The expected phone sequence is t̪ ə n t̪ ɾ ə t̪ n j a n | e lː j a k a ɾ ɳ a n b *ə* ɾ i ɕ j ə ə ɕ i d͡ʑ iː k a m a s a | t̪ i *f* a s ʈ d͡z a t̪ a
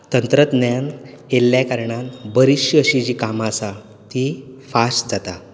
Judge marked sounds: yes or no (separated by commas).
yes, yes